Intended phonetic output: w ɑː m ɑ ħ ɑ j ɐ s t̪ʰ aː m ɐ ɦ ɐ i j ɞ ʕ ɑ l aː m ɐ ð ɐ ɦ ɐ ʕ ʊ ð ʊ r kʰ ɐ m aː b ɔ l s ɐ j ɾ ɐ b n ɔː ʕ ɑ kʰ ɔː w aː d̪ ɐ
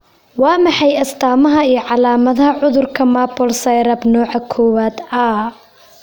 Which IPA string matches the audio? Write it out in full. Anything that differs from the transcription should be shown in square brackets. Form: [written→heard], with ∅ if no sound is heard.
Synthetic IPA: w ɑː m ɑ ħ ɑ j ɐ s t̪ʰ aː m ɐ ɦ ɐ i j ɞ ʕ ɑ l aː m ɐ ð ɐ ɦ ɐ ʕ ʊ ð ʊ r kʰ ɐ m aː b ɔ l s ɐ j ɾ ɐ b n ɔː ʕ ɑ kʰ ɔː w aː d̪ ɐ